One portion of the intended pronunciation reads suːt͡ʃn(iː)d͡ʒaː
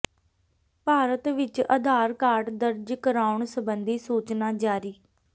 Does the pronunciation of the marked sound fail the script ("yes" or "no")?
yes